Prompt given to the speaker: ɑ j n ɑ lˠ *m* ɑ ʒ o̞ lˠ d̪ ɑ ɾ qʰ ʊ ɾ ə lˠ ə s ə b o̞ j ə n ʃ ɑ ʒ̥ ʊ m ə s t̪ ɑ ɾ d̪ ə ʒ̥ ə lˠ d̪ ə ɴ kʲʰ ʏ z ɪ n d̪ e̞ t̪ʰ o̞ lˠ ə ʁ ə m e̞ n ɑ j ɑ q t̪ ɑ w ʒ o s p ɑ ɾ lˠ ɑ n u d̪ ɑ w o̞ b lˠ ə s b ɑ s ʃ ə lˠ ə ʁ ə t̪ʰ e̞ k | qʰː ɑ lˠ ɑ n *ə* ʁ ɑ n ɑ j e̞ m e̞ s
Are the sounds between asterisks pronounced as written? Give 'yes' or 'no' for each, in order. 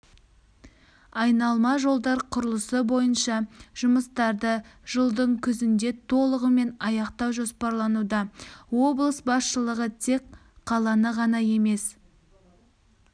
yes, yes

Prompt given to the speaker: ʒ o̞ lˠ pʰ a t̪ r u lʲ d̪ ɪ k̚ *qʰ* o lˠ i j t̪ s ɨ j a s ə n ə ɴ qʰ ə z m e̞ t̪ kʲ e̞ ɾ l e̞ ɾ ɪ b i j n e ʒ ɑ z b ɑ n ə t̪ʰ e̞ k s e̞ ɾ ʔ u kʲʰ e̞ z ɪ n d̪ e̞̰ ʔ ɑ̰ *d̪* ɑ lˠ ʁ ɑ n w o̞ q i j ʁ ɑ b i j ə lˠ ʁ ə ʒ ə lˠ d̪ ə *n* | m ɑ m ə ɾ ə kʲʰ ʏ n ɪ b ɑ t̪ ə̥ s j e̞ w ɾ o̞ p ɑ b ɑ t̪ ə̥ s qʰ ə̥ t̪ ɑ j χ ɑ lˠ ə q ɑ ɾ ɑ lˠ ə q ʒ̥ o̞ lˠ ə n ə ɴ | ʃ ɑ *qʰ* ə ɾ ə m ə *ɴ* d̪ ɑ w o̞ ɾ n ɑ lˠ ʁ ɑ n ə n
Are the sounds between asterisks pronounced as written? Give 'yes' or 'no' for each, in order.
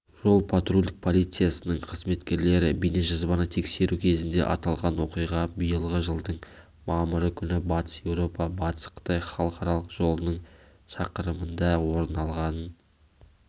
no, no, no, no, no

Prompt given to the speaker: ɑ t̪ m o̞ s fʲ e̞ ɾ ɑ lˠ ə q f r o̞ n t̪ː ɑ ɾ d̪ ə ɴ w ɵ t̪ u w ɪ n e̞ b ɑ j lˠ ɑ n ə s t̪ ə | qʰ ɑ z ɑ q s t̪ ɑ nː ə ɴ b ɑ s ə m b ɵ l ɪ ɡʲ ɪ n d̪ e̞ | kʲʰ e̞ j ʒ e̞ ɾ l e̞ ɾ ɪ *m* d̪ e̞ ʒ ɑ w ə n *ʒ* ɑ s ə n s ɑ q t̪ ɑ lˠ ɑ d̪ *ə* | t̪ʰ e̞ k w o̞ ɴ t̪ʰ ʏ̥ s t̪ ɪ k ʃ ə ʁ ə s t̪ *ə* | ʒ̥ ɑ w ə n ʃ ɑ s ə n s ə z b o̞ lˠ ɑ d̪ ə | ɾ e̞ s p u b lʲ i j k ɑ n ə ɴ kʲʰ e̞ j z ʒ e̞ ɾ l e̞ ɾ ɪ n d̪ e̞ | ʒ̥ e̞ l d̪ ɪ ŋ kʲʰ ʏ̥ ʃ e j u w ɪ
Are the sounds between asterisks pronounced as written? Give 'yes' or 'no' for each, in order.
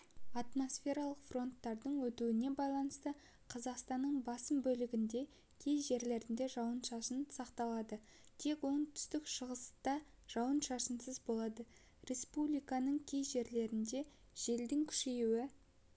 no, no, yes, no

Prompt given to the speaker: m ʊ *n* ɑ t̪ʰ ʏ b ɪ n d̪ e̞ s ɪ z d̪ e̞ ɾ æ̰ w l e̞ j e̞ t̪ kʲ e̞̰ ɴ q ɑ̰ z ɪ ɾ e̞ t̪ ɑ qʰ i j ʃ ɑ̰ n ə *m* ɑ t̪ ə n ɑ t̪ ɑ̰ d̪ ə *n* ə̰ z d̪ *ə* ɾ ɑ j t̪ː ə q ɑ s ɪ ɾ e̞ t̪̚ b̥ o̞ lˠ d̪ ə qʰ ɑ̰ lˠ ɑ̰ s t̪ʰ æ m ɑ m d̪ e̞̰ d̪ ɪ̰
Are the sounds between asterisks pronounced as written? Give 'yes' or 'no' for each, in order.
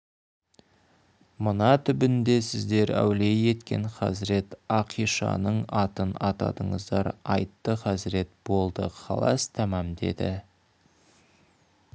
yes, no, no, no

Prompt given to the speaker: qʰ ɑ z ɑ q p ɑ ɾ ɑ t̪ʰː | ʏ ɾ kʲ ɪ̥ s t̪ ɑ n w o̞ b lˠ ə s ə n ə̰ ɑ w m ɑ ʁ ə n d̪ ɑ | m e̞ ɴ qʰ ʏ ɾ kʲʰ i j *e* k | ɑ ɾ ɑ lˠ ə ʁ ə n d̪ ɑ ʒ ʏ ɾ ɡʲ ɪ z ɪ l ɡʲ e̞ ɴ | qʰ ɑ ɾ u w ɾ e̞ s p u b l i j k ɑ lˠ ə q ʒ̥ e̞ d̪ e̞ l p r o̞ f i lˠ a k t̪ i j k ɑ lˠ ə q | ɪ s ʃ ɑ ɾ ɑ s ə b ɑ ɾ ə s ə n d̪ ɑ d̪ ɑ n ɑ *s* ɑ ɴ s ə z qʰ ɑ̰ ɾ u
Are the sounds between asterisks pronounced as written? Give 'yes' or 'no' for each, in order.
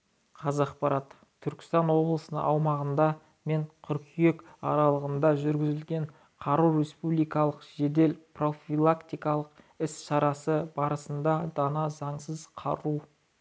yes, no

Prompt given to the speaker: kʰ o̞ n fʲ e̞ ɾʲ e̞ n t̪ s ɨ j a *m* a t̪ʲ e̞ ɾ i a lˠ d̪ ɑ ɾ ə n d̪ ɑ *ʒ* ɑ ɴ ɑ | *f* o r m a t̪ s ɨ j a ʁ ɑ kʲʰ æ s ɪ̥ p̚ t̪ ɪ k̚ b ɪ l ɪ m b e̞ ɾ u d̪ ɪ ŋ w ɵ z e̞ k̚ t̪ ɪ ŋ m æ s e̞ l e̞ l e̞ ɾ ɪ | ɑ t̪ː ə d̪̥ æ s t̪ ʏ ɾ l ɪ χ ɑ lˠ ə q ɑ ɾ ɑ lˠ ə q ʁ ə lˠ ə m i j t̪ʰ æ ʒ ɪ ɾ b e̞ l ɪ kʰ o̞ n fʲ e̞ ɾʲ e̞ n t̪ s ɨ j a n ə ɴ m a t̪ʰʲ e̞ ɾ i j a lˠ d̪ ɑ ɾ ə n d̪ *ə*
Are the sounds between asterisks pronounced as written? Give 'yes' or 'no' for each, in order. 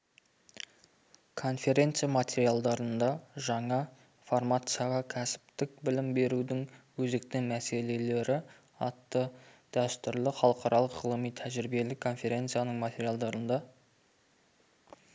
yes, yes, yes, no

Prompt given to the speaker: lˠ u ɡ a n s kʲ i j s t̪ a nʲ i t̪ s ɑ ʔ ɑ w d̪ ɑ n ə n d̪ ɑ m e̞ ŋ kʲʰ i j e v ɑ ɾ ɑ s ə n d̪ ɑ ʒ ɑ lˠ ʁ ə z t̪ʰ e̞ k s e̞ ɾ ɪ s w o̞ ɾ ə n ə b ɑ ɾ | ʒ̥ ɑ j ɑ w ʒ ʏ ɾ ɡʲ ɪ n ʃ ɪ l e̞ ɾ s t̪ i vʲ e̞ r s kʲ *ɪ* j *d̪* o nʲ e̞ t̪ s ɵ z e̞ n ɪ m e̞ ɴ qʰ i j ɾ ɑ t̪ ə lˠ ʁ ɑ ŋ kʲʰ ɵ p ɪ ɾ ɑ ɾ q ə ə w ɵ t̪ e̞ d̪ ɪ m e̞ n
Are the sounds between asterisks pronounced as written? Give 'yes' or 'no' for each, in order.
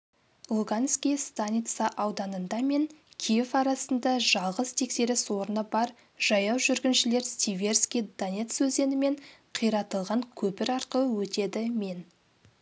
no, yes

